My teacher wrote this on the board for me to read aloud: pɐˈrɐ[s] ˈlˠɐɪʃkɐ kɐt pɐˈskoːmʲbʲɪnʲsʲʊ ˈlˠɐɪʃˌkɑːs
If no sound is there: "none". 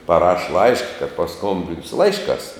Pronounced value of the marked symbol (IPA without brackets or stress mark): ʃ